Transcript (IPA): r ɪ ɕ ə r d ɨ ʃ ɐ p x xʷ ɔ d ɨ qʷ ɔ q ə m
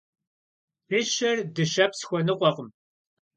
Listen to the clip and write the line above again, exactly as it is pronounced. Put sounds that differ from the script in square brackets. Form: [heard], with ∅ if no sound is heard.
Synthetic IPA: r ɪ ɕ [ɐ] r d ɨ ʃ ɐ p [s] xʷ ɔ [n] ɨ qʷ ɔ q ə m